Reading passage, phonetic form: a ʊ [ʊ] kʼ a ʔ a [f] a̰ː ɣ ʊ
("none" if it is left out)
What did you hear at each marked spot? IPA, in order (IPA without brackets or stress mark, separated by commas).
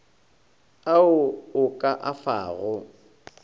ʊ, f